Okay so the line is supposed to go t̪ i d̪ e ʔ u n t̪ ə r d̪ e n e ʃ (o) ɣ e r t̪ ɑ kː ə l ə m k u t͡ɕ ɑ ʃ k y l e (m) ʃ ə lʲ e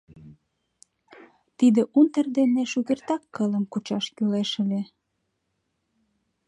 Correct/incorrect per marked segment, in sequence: incorrect, incorrect

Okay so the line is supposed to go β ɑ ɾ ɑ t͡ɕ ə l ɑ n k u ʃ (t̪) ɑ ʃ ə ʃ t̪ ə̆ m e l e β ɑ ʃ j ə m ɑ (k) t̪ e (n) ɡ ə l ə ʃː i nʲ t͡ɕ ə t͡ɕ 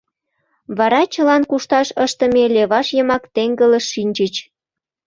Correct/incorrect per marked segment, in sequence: correct, correct, incorrect

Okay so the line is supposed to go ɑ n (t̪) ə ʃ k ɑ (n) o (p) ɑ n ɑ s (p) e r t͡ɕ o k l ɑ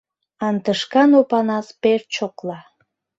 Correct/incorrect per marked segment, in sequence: correct, correct, correct, correct

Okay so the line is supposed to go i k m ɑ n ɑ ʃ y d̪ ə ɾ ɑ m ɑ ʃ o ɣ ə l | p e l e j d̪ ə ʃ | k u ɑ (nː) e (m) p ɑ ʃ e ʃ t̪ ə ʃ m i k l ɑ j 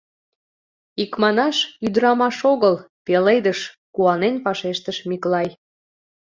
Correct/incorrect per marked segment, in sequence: incorrect, incorrect

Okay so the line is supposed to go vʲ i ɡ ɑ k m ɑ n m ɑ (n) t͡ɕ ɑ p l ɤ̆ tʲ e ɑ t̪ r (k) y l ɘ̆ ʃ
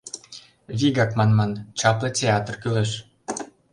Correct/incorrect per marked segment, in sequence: correct, correct

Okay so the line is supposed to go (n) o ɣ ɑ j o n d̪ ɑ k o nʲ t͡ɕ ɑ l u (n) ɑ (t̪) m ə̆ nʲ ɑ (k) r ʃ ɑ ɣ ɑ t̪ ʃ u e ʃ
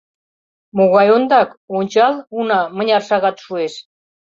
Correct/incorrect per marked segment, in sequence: incorrect, correct, incorrect, incorrect

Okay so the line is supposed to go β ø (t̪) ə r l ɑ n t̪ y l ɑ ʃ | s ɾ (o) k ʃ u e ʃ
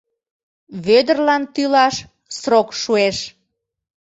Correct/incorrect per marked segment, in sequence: incorrect, correct

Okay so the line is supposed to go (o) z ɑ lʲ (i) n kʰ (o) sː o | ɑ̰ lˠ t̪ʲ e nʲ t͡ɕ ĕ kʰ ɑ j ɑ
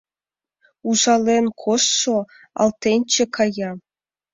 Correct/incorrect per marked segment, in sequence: incorrect, incorrect, correct

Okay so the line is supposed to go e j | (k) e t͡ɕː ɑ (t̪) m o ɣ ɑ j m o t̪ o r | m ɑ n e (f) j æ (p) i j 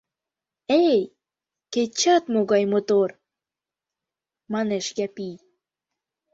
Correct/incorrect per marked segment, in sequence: correct, correct, incorrect, correct

